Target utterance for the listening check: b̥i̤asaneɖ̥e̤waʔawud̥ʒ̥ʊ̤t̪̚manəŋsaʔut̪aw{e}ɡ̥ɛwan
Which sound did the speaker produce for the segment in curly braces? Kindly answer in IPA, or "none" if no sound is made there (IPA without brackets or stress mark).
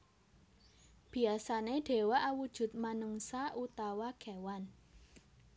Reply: a